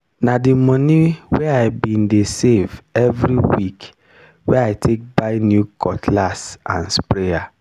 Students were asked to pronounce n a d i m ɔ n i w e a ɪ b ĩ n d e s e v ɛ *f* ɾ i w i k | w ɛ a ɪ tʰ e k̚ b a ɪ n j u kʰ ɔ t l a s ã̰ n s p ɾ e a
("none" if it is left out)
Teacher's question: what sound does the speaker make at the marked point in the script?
v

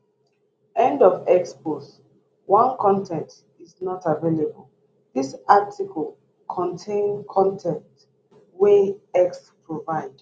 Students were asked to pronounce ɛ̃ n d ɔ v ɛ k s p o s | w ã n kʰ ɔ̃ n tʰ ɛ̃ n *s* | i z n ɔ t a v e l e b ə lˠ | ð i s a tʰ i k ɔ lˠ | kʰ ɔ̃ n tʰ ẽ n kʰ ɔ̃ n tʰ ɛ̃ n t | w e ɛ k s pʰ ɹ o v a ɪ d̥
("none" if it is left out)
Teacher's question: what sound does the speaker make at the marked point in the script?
t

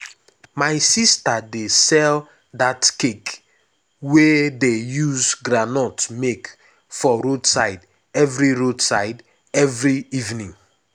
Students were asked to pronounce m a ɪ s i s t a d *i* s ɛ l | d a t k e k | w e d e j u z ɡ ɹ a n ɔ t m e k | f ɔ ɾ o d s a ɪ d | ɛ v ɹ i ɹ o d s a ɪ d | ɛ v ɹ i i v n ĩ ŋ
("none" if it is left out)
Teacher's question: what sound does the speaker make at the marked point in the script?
e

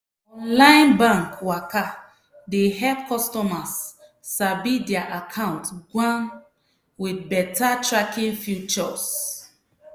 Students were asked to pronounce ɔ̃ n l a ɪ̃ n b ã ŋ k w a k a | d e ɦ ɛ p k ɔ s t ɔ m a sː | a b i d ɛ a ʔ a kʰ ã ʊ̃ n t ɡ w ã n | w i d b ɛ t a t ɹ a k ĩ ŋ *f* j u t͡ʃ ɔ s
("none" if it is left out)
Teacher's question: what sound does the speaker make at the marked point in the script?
f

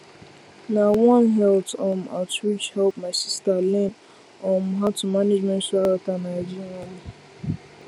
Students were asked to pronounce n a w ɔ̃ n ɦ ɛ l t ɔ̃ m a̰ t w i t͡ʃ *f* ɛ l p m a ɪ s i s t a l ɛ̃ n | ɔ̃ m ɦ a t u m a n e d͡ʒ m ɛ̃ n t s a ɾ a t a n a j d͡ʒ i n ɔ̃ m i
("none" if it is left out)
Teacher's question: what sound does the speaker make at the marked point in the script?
h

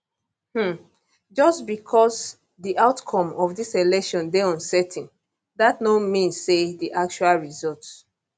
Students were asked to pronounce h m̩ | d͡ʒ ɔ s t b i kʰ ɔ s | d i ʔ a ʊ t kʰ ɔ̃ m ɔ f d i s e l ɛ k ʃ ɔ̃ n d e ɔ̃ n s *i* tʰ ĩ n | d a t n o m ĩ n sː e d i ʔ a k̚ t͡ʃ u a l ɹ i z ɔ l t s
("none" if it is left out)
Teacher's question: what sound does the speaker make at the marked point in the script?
ɛ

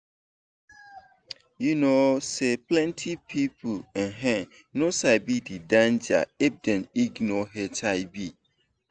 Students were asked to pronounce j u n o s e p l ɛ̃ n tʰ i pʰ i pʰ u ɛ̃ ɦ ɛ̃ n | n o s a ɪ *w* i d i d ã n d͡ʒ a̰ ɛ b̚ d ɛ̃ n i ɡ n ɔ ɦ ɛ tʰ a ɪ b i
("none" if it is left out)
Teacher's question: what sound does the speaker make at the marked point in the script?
b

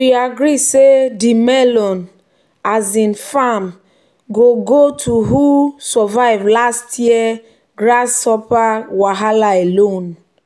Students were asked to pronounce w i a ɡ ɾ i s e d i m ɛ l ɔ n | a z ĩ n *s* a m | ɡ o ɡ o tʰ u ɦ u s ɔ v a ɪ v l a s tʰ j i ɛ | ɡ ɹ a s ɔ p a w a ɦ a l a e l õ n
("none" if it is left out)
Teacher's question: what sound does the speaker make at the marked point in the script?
f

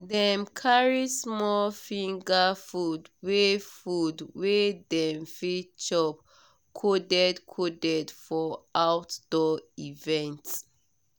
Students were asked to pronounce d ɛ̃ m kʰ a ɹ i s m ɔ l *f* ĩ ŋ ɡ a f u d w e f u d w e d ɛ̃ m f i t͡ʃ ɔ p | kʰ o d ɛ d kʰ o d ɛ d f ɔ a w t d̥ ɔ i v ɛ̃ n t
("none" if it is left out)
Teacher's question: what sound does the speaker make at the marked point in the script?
f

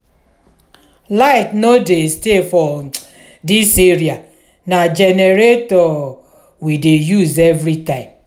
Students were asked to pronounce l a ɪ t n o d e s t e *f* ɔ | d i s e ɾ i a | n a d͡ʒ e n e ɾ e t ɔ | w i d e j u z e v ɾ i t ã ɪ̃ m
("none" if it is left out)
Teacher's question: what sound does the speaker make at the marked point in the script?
f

